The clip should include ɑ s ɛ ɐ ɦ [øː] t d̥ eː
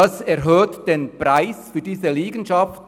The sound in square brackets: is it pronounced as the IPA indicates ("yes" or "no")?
yes